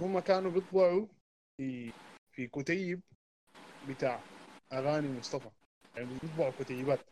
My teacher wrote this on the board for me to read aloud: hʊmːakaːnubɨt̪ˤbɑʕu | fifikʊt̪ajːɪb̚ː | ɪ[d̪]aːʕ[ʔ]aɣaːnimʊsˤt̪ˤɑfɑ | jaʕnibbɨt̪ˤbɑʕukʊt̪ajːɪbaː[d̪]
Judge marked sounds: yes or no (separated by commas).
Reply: no, yes, no